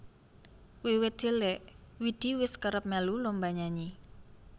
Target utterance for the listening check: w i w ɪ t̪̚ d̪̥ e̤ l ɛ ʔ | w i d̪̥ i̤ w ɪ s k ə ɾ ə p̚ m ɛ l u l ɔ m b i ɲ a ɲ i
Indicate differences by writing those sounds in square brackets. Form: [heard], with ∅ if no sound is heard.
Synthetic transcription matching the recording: w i w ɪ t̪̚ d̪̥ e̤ l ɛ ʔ | w i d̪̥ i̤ w ɪ s k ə ɾ ə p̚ m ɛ l u l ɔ m b [a] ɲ a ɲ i